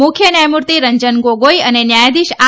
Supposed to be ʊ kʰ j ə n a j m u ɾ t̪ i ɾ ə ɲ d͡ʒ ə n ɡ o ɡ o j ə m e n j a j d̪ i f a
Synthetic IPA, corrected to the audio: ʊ kʰ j ə n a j m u ɾ t̪ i ɾ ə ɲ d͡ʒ ə n ɡ o ɡ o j ə n e n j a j d̪ i ʃ a